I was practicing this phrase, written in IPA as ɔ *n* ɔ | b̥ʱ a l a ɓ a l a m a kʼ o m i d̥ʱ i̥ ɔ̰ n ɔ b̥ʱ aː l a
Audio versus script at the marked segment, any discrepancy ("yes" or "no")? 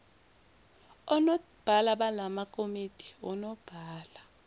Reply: no